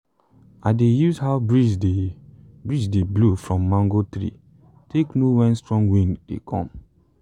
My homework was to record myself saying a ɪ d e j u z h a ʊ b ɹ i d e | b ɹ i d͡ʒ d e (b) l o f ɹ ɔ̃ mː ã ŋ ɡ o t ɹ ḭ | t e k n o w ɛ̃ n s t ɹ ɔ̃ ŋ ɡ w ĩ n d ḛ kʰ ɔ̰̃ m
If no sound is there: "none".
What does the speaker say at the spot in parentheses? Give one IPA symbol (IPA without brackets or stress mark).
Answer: b